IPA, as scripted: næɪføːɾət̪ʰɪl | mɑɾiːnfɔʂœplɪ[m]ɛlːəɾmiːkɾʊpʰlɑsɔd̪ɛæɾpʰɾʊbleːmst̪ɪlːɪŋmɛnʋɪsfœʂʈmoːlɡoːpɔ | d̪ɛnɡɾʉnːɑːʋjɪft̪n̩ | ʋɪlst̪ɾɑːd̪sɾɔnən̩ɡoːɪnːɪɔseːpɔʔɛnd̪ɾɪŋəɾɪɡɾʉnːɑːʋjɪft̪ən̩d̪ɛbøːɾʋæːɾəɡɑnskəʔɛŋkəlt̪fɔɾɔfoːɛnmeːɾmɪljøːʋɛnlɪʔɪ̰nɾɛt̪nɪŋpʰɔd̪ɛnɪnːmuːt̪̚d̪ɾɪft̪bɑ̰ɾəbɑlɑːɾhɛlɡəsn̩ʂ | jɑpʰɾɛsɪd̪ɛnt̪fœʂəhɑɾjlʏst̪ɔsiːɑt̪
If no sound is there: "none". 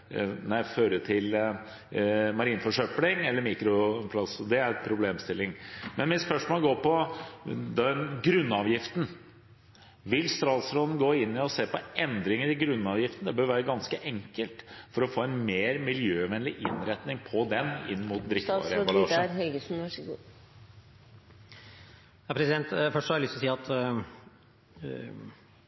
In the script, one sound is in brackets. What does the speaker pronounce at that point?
ŋ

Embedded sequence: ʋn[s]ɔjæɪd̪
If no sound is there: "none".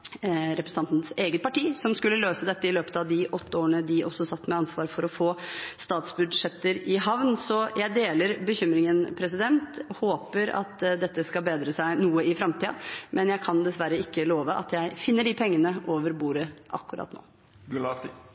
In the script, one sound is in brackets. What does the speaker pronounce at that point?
s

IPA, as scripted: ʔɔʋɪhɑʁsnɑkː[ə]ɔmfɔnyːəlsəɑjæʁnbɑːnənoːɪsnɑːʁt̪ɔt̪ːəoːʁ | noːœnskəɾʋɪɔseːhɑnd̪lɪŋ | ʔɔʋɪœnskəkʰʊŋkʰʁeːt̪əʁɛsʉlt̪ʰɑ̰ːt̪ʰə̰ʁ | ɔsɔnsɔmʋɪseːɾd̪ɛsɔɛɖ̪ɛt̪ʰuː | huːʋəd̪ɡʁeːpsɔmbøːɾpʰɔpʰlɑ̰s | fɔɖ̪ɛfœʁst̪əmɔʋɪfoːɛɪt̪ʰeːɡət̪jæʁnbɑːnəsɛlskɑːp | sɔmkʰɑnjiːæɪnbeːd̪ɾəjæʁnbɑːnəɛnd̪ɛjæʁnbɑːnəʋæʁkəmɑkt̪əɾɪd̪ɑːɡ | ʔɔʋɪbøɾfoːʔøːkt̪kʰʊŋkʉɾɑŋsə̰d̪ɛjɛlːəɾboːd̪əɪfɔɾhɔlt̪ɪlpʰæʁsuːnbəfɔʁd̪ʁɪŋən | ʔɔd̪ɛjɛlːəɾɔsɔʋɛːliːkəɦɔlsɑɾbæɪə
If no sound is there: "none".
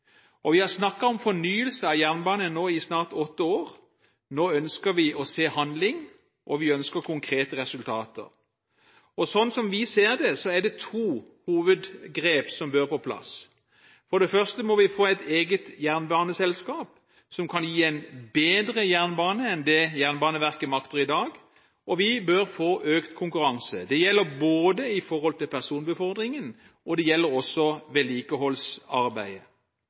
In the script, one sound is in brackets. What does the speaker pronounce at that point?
ɑ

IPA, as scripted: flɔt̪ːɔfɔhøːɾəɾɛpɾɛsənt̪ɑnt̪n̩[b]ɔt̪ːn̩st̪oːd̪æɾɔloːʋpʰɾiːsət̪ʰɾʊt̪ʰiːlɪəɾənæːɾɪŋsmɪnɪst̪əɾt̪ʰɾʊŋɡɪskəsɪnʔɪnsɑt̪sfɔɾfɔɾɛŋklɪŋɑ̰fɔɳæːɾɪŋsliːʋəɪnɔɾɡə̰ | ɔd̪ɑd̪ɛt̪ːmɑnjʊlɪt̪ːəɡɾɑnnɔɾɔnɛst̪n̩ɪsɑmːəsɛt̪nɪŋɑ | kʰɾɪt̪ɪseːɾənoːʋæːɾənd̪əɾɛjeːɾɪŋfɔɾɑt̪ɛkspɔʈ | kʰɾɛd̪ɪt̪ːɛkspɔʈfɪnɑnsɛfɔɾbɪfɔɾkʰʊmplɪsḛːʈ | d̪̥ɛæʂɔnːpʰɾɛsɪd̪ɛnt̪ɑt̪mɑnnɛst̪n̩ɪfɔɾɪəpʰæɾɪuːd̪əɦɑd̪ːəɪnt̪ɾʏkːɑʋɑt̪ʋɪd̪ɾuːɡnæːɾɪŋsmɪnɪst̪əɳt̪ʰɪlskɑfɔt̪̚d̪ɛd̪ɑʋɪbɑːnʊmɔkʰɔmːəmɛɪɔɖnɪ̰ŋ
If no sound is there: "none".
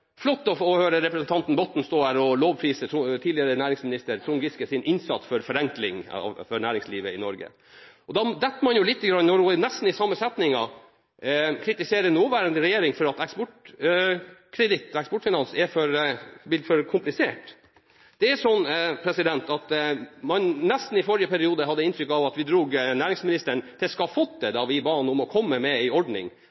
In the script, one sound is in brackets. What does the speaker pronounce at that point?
b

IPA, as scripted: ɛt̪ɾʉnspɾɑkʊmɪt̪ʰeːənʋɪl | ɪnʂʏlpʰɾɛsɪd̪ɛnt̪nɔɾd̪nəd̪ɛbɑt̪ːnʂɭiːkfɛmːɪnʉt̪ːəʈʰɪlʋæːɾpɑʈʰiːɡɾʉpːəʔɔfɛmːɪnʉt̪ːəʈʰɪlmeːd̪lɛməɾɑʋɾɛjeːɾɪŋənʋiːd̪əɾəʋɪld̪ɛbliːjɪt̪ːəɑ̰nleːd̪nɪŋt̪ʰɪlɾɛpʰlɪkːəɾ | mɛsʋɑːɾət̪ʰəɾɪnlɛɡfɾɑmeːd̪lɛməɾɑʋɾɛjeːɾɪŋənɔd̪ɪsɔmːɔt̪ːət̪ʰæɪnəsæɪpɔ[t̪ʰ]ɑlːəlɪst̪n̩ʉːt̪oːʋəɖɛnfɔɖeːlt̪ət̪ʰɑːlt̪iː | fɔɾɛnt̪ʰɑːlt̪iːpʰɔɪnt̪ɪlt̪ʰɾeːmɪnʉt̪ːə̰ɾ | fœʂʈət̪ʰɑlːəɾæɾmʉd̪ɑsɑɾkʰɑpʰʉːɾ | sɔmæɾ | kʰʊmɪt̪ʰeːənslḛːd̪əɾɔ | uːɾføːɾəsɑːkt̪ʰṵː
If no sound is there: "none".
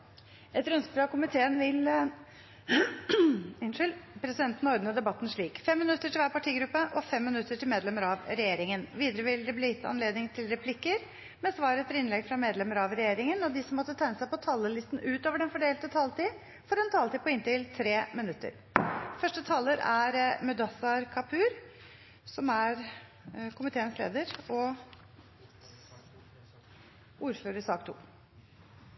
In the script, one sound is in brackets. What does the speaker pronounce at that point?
t̪ʰ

